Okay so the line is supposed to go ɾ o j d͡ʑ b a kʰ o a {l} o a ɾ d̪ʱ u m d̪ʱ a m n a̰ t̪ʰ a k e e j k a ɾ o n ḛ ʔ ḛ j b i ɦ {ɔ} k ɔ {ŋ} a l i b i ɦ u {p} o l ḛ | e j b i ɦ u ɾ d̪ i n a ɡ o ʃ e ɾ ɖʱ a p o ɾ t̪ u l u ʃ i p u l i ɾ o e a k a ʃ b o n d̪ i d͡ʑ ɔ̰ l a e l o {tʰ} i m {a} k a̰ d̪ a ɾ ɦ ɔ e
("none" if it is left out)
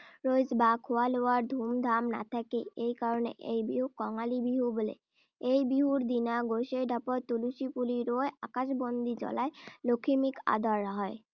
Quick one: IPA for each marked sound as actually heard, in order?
l, u, ŋ, b, kʰ, i

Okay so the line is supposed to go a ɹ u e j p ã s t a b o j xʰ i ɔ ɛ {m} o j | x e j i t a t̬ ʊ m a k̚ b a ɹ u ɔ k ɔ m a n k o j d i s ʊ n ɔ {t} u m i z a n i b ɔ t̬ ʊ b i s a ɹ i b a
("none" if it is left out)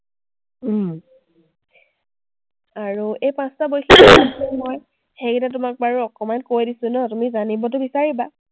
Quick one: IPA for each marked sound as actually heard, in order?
m, t

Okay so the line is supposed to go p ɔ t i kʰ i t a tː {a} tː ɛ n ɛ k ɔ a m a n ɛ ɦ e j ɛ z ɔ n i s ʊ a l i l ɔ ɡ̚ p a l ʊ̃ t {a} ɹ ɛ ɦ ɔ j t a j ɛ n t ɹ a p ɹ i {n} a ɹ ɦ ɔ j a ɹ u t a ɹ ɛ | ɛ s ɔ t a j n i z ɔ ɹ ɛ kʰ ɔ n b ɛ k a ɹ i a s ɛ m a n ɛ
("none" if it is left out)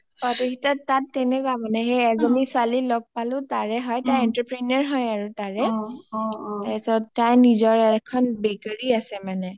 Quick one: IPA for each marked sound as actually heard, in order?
a, a, n

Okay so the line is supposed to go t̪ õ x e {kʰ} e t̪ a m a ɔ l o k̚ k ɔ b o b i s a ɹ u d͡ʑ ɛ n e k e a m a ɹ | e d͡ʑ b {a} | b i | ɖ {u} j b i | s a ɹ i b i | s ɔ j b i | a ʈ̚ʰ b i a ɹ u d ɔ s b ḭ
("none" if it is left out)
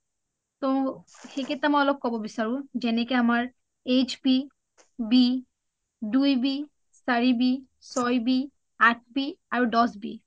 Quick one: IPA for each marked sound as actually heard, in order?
k, i, u

